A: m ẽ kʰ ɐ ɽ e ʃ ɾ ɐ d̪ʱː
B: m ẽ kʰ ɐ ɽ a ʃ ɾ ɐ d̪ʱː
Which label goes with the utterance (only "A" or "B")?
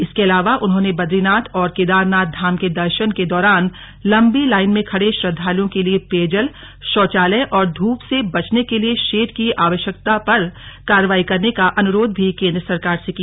A